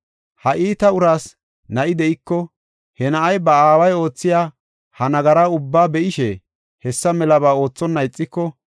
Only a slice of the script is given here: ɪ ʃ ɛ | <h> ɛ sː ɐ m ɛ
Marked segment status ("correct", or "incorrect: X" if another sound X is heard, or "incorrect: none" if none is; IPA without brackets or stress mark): correct